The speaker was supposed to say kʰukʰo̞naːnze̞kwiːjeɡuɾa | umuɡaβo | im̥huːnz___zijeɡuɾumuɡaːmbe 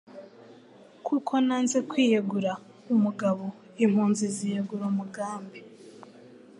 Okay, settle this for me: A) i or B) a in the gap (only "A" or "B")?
A